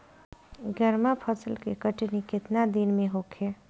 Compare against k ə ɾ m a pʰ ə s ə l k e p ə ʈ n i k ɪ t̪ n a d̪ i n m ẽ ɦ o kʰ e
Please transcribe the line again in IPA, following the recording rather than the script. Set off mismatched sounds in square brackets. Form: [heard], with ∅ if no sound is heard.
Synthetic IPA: [ɡ] ə ɾ m a pʰ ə s ə l k e [k] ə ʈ n i k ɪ t̪ n a d̪ i n m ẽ ɦ o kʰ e